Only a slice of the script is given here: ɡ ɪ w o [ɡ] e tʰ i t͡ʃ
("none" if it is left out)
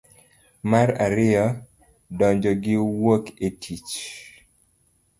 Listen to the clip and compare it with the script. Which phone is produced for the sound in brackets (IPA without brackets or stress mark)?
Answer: k